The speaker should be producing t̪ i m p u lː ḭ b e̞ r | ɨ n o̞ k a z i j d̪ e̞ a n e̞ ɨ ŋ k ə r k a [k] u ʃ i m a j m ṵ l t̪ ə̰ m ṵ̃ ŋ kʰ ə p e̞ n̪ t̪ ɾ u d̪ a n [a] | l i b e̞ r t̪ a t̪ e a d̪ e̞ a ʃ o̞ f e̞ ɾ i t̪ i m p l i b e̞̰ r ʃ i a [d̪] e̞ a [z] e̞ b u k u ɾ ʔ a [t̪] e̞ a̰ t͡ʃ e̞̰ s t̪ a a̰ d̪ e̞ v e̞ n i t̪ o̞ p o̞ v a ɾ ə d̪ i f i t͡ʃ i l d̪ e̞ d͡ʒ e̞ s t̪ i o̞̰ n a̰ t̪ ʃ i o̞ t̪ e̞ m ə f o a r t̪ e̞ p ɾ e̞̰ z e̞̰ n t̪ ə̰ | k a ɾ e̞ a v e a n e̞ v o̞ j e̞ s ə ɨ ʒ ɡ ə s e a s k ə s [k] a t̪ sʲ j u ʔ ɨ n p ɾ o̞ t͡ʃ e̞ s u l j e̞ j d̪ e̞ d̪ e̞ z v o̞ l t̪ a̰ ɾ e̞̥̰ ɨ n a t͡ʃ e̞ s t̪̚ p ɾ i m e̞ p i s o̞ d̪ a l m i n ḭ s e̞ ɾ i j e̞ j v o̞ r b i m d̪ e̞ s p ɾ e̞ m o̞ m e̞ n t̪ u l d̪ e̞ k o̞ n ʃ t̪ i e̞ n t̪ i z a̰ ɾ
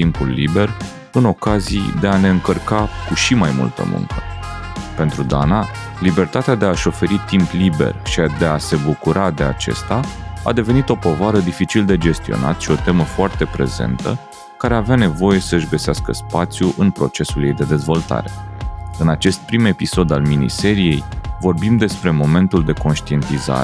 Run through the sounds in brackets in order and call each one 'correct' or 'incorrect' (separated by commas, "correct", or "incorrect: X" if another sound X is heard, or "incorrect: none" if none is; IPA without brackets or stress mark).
correct, correct, correct, incorrect: s, incorrect: d̪, incorrect: p